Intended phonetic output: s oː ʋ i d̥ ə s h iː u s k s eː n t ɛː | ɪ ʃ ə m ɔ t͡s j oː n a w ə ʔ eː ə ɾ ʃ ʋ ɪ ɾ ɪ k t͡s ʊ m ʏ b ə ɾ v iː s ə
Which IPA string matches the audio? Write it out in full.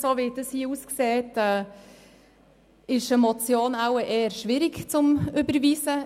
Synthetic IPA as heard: s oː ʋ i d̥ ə s h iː u s k s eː t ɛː | ɪ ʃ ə m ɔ t͡s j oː n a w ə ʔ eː ə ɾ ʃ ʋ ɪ ɾ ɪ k t͡s ʊ m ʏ b ə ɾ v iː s ə